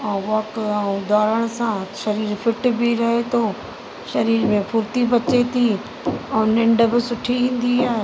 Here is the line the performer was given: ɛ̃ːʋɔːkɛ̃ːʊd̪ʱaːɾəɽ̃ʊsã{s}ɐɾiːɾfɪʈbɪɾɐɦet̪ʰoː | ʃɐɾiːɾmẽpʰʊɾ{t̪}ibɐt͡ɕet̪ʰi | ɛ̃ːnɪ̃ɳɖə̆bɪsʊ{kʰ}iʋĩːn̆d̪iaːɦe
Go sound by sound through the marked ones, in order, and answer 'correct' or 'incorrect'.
incorrect, correct, incorrect

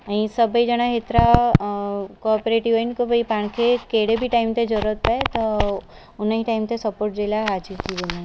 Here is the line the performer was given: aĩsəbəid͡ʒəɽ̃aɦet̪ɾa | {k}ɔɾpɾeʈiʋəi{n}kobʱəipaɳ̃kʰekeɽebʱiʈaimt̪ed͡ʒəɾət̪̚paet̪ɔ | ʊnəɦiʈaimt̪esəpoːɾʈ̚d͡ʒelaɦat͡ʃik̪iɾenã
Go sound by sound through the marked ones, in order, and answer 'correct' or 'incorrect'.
correct, correct

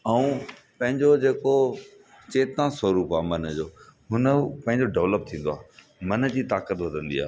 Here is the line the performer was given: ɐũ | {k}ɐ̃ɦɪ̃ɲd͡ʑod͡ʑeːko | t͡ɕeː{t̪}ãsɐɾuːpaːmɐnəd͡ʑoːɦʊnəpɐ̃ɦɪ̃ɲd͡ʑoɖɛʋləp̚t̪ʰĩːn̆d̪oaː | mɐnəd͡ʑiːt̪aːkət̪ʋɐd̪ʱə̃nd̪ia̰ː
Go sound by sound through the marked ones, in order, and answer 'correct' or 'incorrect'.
incorrect, correct

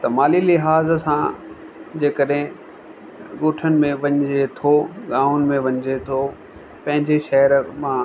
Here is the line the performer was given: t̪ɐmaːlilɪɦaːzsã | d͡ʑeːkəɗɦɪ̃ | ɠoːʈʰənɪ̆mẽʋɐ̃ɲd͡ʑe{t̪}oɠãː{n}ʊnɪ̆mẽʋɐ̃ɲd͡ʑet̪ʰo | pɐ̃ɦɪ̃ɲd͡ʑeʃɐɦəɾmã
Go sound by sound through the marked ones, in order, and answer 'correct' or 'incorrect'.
incorrect, incorrect

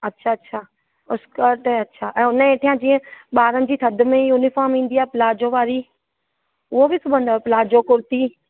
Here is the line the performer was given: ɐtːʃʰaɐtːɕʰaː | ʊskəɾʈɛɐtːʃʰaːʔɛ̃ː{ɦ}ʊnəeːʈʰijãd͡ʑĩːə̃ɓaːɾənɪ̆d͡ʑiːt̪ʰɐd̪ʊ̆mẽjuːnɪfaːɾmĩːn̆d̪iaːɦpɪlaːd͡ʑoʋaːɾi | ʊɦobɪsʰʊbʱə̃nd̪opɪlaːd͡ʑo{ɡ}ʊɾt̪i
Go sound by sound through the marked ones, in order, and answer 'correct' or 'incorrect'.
incorrect, incorrect

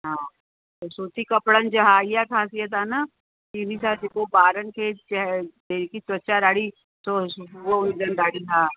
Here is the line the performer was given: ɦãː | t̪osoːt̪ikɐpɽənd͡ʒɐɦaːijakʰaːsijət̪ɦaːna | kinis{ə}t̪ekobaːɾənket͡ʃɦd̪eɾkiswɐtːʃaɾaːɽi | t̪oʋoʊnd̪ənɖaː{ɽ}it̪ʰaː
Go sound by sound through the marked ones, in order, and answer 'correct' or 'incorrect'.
incorrect, correct

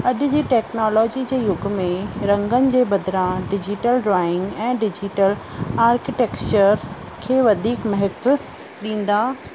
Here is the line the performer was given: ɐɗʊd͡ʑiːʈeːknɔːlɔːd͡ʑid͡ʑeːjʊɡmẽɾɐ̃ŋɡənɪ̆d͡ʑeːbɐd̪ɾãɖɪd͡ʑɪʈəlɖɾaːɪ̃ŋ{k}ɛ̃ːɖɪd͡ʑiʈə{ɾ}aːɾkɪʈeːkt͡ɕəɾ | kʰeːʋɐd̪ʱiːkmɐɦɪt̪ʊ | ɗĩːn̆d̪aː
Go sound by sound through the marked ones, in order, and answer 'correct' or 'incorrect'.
incorrect, incorrect

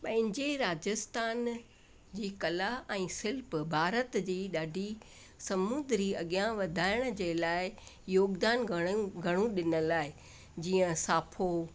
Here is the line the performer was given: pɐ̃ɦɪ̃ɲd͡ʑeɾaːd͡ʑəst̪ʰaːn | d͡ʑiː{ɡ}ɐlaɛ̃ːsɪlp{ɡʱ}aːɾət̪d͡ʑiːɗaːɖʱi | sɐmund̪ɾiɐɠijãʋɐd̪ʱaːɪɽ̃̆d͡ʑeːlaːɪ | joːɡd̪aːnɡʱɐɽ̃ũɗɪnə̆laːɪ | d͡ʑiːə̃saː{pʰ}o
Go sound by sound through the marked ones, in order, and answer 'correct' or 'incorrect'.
incorrect, incorrect, correct

